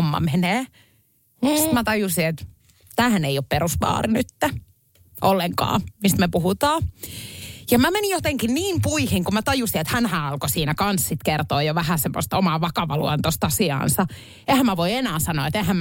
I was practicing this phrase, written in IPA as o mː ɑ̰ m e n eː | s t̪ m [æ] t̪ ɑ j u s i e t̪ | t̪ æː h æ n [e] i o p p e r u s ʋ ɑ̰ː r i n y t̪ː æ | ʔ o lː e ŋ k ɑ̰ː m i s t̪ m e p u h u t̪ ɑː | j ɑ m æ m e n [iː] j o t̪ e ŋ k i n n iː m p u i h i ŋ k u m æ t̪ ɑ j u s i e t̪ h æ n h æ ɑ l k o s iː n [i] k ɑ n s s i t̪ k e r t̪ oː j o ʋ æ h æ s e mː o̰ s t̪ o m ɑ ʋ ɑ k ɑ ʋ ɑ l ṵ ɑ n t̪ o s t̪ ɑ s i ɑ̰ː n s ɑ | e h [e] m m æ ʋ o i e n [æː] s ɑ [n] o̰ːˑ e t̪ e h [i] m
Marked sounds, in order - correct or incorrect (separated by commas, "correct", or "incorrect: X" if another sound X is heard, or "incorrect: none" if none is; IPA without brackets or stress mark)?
correct, correct, incorrect: i, incorrect: æ, incorrect: æ, correct, correct, incorrect: æ